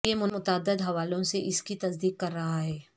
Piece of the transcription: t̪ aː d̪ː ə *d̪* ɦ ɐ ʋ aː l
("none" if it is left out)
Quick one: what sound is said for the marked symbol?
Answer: d̪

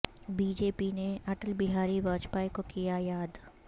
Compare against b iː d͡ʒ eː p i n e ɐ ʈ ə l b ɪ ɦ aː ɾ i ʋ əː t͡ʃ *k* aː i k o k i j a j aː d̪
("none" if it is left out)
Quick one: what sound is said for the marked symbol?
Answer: p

